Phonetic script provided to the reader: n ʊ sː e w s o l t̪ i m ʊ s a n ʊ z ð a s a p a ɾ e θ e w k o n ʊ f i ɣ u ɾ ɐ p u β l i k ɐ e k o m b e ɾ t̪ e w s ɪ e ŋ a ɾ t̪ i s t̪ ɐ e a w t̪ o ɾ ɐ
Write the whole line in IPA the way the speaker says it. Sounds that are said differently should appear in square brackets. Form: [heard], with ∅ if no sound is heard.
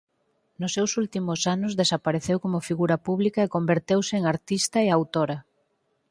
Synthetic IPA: n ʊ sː e w s [u] l t̪ i m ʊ s a n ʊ z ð [e] s a p a ɾ e θ e w k o [m] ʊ f i ɣ u ɾ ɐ p u β l i k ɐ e k o m b e ɾ t̪ e w s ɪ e ŋ a ɾ t̪ i s t̪ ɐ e a w t̪ o ɾ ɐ